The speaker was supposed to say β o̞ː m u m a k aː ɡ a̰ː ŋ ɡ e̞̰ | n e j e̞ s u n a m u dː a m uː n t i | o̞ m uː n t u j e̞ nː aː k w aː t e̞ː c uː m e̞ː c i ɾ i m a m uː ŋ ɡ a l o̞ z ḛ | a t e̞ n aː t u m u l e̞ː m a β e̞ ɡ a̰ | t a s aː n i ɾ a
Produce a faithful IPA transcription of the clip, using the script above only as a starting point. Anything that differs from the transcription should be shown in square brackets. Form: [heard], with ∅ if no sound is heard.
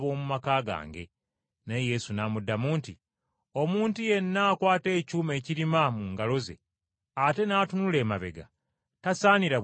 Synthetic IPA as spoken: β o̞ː m u m a k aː ɡ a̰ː ŋ ɡ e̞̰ | n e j e̞ s u n a m u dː a m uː n t i | o̞ m uː n t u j e̞ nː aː k w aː t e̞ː c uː m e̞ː c i ɾ i m a m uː ŋ ɡ a l o̞ z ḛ | a t e̞ n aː t u [n] u l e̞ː m a β e̞ ɡ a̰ | t a s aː n i ɾ a